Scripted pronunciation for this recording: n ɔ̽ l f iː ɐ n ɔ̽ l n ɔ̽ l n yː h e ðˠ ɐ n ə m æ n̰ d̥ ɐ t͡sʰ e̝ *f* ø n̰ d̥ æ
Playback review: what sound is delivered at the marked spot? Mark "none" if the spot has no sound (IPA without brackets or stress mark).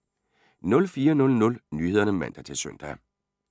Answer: s